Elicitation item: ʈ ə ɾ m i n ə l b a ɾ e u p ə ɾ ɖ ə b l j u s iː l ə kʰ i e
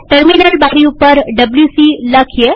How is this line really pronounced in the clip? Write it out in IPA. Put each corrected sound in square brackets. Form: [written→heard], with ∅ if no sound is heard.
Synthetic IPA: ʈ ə ɾ m i n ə l b a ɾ [e→i] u p ə ɾ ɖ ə b l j u s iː l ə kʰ [i→j] e